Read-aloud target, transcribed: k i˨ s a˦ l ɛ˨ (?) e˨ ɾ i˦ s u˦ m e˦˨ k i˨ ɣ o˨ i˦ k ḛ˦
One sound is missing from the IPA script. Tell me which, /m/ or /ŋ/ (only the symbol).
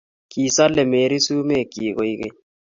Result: m